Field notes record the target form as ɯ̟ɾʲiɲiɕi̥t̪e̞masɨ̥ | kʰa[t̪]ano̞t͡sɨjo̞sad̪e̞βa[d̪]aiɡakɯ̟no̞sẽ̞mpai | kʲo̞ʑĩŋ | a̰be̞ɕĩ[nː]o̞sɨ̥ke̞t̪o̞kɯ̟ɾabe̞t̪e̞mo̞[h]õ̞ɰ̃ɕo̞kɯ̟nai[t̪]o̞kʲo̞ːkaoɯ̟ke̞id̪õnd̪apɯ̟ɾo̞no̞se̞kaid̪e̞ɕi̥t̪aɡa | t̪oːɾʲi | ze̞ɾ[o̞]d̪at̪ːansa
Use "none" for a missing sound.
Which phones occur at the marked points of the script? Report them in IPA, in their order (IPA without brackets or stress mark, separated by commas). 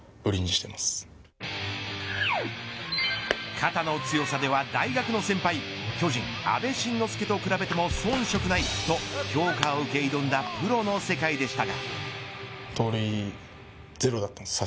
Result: t̪, d̪, nː, s, t̪, o̞